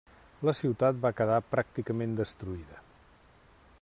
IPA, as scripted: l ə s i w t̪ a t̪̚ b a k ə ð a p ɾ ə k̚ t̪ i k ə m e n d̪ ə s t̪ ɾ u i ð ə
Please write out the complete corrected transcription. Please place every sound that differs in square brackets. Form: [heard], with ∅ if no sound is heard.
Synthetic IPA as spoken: l ə s i w t̪ a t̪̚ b a k ə ð a p ɾ [a] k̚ t̪ i k ə m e n d̪ ə s t̪ ɾ u i ð ə